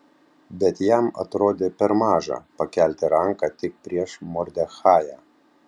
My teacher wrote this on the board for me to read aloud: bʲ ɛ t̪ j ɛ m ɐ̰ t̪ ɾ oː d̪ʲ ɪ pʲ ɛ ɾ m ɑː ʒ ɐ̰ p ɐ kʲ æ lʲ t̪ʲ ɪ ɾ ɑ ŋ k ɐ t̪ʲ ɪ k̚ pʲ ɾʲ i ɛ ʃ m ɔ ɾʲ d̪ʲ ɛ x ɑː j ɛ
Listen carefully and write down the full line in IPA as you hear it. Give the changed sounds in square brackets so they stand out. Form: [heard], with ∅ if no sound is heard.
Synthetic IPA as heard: bʲ ɛ t̪ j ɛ m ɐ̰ t̪ ɾ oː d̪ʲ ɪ pʲ ɛ ɾ m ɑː ʒ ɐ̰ p ɐ kʲ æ lʲ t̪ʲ ɪ ɾ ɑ ŋ k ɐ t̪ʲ ɪ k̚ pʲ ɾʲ i ɛ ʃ m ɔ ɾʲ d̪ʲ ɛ x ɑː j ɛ